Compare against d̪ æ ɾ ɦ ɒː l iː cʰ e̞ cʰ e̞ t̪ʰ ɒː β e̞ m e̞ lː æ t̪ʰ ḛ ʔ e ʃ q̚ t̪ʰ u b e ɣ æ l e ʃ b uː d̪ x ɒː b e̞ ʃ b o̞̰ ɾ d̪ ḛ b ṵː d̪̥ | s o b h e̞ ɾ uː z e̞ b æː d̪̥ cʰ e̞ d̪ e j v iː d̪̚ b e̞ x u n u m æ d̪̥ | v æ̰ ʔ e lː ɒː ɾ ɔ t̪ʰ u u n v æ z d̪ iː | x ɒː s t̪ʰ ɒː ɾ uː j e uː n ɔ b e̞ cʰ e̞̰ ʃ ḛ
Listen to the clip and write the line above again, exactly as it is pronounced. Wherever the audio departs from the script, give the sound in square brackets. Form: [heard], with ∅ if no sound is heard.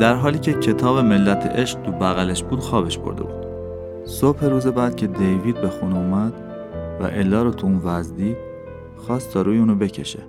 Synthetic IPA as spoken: d̪ æ ɾ ɦ ɒː l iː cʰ e̞ cʰ e̞ t̪ʰ ɒː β e̞ m e̞ lː æ t̪ʰ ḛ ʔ e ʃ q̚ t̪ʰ u b [æ] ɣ æ l e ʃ b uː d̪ x ɒː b e̞ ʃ b o̞̰ ɾ d̪ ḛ b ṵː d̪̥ | s o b h e̞ ɾ uː z e̞ b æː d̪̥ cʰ e̞ d̪ e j v iː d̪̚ b e̞ x u n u m æ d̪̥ | v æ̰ ʔ e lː ɒː ɾ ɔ t̪ʰ u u n v æ z d̪ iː | x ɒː s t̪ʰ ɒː ɾ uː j e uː n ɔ b e̞ cʰ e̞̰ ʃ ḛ